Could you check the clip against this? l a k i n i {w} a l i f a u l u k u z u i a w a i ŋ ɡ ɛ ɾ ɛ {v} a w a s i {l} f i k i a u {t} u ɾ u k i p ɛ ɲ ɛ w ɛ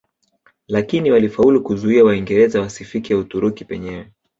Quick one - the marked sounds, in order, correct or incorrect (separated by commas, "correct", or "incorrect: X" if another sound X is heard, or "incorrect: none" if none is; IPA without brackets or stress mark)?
correct, incorrect: z, incorrect: none, correct